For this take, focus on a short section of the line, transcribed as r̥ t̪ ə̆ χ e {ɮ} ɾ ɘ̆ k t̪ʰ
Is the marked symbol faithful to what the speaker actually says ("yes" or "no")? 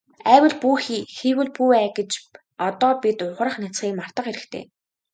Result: no